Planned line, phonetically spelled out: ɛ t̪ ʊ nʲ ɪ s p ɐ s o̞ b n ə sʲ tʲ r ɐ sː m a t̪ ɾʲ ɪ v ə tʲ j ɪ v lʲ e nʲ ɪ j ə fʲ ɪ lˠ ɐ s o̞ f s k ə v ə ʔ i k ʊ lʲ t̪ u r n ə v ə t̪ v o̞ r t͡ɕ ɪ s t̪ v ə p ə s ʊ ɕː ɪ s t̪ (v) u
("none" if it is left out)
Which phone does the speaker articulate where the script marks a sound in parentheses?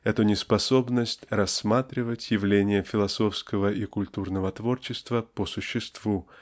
v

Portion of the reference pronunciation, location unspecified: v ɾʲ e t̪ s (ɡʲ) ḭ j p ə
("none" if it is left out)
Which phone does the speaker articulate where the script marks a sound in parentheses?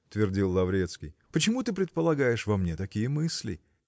kʲ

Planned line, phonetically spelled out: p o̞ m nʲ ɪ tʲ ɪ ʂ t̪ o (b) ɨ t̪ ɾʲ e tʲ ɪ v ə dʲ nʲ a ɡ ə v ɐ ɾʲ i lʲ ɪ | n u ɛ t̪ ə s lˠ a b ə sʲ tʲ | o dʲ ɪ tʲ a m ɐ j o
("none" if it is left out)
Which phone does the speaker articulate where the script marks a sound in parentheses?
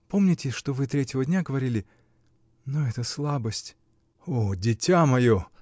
v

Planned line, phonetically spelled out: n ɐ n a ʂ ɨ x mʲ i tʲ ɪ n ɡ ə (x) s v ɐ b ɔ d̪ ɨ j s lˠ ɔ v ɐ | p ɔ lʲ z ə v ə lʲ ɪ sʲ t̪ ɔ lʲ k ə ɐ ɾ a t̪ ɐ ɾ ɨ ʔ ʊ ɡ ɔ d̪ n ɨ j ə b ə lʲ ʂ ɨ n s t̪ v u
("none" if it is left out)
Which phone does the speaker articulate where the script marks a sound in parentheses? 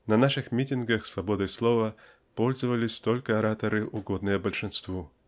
x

